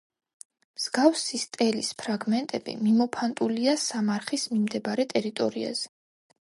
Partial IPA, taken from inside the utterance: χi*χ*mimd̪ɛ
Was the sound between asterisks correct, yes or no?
no